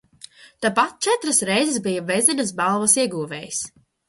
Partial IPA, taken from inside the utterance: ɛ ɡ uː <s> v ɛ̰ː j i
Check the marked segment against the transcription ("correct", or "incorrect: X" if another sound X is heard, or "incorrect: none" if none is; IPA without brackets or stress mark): incorrect: none